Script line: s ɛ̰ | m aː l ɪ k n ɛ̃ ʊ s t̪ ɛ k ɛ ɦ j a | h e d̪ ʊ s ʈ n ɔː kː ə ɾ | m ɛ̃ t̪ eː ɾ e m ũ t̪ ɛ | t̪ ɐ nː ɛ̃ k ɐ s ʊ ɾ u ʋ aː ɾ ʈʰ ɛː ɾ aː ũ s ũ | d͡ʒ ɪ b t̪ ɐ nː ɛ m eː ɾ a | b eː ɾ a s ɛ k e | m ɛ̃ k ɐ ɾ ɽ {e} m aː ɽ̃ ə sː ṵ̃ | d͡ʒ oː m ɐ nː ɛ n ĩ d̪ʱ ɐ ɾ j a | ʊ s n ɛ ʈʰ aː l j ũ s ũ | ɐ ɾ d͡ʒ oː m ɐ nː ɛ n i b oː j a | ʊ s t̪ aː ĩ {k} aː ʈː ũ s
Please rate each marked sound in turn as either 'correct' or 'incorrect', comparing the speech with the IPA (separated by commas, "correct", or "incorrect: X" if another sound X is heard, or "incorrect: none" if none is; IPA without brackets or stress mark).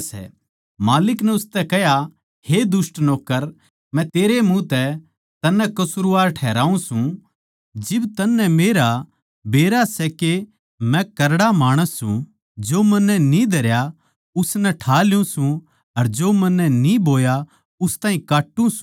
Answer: incorrect: a, correct